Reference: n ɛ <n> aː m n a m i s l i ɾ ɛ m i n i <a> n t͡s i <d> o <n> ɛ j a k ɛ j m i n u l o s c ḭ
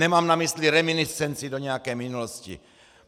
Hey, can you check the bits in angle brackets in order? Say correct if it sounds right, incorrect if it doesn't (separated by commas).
incorrect, incorrect, correct, incorrect